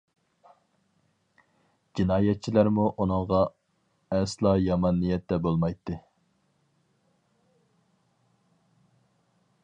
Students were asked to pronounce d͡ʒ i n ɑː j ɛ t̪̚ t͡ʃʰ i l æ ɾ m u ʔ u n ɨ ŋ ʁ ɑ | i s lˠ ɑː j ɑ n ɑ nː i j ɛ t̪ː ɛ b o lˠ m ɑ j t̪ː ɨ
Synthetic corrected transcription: d͡ʒ i n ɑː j ɛ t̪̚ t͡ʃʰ i l æ ɾ m u ʔ u n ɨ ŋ ʁ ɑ | ɛ s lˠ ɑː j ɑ m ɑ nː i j ɛ t̪ː ɛ b o lˠ m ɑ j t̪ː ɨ

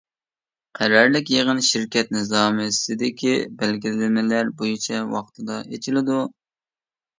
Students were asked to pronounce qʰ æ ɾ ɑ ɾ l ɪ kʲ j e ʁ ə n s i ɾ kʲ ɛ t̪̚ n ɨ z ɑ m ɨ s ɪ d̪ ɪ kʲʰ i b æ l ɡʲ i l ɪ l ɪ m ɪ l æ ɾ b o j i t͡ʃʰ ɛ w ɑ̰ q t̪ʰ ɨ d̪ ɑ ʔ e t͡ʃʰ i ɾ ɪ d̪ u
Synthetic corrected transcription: qʰ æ ɾ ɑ ɾ l ɪ kʲ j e ʁ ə n ʃ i ɾ kʲ ɛ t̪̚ n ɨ z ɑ m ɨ s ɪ d̪ ɪ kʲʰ i b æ l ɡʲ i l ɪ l ɪ m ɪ l æ ɾ b o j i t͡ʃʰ ɛ w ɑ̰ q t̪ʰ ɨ d̪ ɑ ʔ e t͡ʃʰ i l ɪ d̪ u

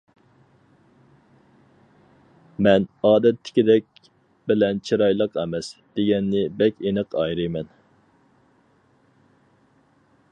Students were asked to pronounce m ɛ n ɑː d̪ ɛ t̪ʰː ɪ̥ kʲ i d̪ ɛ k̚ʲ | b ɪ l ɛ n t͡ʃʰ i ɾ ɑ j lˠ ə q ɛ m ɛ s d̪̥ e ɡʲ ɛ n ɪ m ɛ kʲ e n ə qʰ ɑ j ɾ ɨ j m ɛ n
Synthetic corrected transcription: m ɛ n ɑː d̪ ɛ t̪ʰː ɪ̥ kʲ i d̪ ɛ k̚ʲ | b ɪ l ɛ n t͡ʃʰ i ɾ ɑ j lˠ ə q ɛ m ɛ s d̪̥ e ɡʲ ɛ nː ɪ b ɛ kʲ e n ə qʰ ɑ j ɾ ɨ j m ɛ n

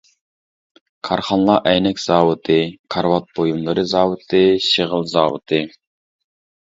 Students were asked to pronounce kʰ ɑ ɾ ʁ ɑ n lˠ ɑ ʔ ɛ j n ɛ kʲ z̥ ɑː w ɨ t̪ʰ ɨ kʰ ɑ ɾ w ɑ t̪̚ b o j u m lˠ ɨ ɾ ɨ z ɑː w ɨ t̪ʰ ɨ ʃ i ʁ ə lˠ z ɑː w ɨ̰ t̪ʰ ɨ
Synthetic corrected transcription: kʰ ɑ ɾ χ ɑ n lˠ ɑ ʔ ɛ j n ɛ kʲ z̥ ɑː w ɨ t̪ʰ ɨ kʰ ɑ ɾ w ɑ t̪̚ b o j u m lˠ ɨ ɾ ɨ z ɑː w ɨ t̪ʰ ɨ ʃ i ʁ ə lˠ z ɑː w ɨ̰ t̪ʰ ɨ

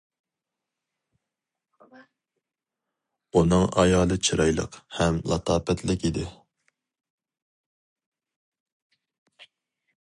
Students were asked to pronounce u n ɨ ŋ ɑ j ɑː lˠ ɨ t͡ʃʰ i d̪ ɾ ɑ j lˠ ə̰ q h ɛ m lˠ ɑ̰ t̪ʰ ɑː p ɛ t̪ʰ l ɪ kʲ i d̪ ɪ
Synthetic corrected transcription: u n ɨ ŋ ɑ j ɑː lˠ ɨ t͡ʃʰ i ɾ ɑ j lˠ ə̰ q h ɛ m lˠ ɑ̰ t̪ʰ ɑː p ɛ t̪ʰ l ɪ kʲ i d̪ ɪ

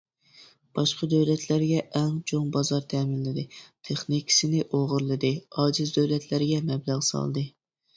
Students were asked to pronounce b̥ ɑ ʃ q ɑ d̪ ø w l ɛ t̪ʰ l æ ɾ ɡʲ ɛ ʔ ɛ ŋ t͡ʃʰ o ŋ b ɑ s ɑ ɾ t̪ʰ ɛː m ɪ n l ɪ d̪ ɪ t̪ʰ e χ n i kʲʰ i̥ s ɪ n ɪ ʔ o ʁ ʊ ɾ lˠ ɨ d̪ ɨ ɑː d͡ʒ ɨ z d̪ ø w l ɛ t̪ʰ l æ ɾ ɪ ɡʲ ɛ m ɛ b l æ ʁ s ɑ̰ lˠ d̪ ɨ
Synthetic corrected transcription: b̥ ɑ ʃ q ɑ d̪ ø w l ɛ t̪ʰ l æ ɾ ɡʲ ɛ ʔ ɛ ŋ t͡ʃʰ o ŋ b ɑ z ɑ ɾ t̪ʰ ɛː m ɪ n l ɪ d̪ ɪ t̪ʰ e χ n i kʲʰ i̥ s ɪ n ɪ ʔ o ʁ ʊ ɾ lˠ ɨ d̪ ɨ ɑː d͡ʒ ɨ z d̪ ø w l ɛ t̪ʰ l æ ɾ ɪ ɡʲ ɛ m ɛ b l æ ʁ s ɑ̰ lˠ d̪ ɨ

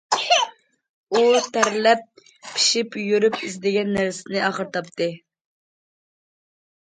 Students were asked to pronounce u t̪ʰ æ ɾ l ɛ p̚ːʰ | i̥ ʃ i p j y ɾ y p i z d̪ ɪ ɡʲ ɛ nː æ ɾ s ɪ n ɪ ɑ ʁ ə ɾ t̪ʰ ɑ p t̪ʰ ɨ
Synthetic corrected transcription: u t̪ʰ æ ɾ l ɛ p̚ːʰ | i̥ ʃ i p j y ɾ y p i z d̪ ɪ ɡʲ ɛ nː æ ɾ s ɪ n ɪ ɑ χ ə ɾ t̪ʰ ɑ p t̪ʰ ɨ

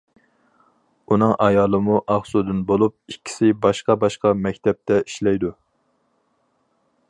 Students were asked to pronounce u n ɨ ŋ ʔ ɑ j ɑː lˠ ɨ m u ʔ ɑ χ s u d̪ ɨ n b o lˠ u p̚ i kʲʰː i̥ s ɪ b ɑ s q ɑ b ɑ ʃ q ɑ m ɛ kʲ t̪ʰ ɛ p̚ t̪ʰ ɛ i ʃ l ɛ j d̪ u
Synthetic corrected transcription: u n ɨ ŋ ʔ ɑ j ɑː lˠ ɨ m u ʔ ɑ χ s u d̪ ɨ n b o lˠ u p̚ i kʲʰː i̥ s ɪ b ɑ ʃ q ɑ b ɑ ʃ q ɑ m ɛ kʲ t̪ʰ ɛ p̚ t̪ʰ ɛ i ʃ l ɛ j d̪ u

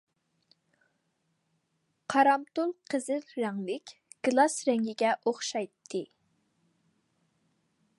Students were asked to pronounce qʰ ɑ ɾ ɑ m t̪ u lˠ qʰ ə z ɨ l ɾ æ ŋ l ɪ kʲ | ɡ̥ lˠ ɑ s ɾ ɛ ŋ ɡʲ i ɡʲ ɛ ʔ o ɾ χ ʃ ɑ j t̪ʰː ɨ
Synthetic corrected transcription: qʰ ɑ ɾ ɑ m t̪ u lˠ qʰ ə z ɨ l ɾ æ ŋ l ɪ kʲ | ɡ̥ lˠ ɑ s ɾ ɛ ŋ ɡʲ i ɡʲ ɛ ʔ o χ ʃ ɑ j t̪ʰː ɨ

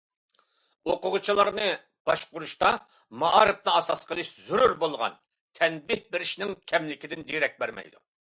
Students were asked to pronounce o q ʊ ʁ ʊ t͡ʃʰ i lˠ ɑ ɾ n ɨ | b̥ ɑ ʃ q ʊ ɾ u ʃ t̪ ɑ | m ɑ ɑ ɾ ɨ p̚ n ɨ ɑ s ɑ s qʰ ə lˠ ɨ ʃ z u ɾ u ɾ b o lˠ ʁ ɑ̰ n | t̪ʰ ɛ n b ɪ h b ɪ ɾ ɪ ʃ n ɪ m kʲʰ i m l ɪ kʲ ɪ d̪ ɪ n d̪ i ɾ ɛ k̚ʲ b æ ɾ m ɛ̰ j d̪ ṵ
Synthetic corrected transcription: o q ʊ ʁ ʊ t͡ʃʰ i lˠ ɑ ɾ n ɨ | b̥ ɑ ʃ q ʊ ɾ u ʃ t̪ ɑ | m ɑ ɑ ɾ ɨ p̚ n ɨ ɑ s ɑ s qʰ ə lˠ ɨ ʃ z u ɾ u ɾ b o lˠ ʁ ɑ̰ n | t̪ʰ ɛ n b ɪ h b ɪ ɾ ɪ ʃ n ɪ ŋ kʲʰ ɛ m l ɪ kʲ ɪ d̪ ɪ n d̪ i ɾ ɛ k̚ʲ b æ ɾ m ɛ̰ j d̪ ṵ

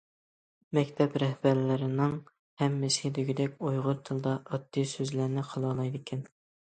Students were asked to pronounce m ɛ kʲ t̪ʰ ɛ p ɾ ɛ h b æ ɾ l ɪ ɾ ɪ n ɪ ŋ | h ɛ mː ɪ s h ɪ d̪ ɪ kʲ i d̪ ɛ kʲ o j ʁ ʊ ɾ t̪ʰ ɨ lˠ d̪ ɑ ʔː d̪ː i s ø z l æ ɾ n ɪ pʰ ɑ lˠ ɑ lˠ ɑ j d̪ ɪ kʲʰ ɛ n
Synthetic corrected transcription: m ɛ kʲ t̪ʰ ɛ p ɾ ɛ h b æ ɾ l ɪ ɾ ɪ n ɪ ŋ | h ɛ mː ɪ s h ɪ d̪ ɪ ɡʲ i d̪ ɛ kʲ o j ʁ ʊ ɾ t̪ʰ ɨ lˠ d̪ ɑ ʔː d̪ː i s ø z l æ ɾ n ɪ qʰ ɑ lˠ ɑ lˠ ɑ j d̪ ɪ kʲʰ ɛ n

